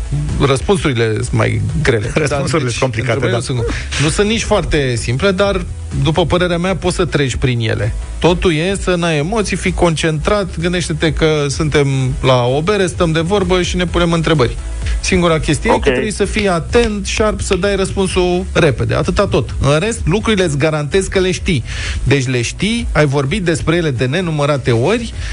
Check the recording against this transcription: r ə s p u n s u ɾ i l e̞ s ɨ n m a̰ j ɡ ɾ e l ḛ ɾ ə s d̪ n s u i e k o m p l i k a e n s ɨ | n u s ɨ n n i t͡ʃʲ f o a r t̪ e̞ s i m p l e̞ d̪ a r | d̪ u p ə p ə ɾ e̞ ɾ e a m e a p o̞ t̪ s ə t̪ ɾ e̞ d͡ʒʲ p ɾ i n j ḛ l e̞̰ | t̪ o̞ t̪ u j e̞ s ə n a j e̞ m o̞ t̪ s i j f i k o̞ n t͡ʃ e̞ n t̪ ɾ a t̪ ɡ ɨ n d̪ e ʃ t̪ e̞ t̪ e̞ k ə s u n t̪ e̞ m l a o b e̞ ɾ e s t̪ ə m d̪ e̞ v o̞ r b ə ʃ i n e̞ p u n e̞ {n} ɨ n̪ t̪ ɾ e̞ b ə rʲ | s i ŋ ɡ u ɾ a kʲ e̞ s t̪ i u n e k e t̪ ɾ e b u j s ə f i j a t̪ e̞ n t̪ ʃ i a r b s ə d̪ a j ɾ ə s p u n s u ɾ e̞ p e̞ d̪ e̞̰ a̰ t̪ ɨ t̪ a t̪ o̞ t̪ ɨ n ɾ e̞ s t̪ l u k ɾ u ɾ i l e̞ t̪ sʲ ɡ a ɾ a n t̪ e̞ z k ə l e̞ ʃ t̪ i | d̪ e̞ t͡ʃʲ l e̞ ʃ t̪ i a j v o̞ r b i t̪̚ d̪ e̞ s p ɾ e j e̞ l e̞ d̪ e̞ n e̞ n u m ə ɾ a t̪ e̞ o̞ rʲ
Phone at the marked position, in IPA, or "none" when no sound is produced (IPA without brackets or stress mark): m